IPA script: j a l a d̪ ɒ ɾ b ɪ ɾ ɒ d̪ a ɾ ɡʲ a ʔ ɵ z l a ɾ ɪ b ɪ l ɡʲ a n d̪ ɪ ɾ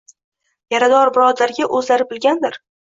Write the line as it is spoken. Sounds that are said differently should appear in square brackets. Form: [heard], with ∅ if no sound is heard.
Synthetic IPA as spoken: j a [ɾ] a d̪ ɒ ɾ b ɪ ɾ ɒ d̪ a ɾ ɡʲ a ʔ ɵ z l a ɾ ɪ b ɪ l ɡʲ a n d̪ ɪ ɾ